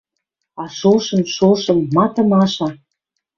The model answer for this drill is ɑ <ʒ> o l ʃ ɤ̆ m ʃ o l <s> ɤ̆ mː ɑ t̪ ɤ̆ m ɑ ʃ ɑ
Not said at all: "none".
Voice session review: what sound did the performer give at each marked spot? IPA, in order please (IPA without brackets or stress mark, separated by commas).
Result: ʃ, ʃ